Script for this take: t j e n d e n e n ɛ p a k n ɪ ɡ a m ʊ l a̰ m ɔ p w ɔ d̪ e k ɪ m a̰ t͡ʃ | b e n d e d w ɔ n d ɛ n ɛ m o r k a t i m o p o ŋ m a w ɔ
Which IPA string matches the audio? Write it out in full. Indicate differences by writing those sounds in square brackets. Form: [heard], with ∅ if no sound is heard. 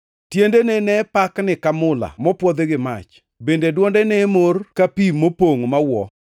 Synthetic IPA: t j e n d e n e n ɛ p a k n ɪ [k] a m ʊ l a̰ m ɔ p w ɔ d̪ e [ɡ] ɪ m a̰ t͡ʃ | b e n d e d w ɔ n d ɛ n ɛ m o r k a [p] i m o p o ŋ m a w ɔ